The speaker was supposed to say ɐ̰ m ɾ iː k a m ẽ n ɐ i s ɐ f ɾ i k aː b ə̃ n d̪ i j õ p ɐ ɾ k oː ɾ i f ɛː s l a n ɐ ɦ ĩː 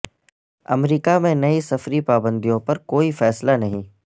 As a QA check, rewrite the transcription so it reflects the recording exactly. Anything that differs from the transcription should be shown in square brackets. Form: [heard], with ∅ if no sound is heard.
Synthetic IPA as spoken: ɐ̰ m ɾ iː k a m ẽ n ɐ i s ɐ f ɾ i [p] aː b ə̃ n d̪ i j õ p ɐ ɾ k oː [∅] i f ɛː s l a n ɐ ɦ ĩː